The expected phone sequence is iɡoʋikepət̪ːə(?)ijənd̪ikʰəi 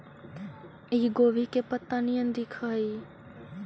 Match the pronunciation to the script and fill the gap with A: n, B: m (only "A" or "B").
A